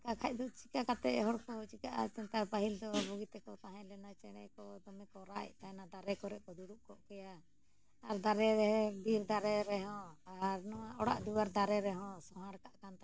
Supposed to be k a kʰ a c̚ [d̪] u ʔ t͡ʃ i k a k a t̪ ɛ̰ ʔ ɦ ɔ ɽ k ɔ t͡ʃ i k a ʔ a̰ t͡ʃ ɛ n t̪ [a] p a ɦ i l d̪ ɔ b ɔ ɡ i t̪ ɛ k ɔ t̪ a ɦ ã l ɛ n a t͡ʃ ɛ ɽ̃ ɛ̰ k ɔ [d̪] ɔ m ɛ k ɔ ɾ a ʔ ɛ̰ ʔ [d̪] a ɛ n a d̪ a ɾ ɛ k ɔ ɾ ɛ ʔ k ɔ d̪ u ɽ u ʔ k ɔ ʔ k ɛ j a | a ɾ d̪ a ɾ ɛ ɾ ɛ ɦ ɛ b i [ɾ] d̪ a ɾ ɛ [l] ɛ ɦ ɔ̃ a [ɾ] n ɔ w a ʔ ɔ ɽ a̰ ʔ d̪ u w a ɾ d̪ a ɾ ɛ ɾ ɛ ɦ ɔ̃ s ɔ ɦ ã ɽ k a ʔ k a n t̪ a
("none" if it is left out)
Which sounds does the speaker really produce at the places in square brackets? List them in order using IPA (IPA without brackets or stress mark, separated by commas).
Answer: d̪, a, d̪, t̪, ɾ, ɾ, ɾ